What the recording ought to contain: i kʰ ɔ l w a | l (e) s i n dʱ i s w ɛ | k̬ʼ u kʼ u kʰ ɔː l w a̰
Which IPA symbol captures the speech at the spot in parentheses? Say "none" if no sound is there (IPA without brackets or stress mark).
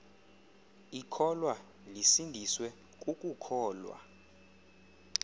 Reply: i